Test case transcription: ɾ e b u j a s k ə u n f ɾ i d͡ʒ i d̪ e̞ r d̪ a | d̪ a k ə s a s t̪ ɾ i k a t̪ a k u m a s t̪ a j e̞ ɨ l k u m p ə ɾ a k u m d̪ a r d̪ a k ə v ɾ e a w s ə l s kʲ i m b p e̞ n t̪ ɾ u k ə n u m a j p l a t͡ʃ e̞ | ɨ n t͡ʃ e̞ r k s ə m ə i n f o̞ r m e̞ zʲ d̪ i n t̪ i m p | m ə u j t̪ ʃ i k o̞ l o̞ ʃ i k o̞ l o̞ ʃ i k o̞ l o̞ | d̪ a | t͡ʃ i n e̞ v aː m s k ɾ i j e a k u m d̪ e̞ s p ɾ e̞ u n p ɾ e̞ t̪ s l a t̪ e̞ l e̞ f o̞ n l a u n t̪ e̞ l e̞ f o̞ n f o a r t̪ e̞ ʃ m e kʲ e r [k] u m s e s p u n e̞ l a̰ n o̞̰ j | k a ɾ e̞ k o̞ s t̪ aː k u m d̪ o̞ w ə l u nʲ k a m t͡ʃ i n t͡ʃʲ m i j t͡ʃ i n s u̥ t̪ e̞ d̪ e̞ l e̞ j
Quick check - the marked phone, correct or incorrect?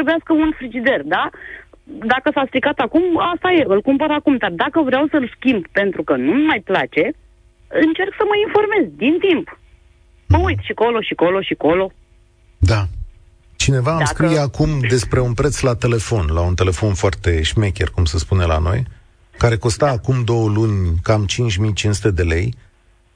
correct